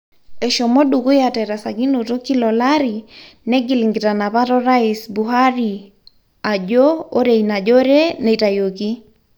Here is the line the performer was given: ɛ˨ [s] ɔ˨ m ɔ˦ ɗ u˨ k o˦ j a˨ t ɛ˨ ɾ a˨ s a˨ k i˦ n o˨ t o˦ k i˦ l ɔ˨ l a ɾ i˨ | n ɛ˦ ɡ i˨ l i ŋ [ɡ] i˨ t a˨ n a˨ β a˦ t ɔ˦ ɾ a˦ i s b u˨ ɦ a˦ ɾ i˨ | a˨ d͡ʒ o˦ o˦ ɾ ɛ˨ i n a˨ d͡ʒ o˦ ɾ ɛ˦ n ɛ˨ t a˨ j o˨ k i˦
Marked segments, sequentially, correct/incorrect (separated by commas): incorrect, correct